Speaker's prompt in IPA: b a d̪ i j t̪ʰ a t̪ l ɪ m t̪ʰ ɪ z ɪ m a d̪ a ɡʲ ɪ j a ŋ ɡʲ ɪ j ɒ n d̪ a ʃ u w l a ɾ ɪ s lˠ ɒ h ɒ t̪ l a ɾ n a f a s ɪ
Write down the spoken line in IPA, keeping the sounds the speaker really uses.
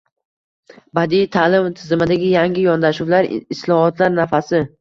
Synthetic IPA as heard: b a d̪ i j t̪ʰ a l ɪ m t̪ʰ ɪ z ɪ m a d̪ a ɡʲ ɪ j a ŋ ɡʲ ɪ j ɒ n d̪ a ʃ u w l a ɾ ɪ s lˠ ɒ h ɒ t̪ l a ɾ n a f a s ɪ